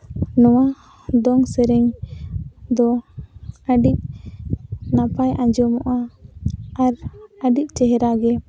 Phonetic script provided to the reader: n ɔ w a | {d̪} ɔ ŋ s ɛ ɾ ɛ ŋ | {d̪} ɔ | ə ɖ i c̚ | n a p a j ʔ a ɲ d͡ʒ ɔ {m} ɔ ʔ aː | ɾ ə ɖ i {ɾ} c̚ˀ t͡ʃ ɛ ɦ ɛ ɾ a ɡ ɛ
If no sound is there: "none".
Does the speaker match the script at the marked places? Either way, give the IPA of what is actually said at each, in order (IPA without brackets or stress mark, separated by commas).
d̪, d̪, m, none